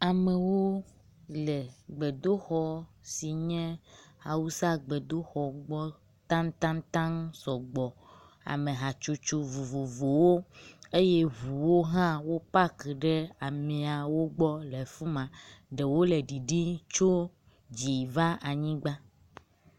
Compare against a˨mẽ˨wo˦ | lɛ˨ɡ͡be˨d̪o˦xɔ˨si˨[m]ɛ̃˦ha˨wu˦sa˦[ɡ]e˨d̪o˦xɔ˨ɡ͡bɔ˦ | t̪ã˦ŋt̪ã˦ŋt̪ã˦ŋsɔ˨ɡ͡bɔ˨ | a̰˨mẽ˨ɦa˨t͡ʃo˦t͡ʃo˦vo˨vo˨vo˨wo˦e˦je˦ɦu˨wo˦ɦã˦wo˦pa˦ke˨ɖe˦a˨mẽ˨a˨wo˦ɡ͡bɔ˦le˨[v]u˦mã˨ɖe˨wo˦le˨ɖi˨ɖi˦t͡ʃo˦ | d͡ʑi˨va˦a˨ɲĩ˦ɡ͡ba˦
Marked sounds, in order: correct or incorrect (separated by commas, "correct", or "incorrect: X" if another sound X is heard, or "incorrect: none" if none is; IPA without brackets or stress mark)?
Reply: incorrect: ɲ, incorrect: ɡ͡b, incorrect: f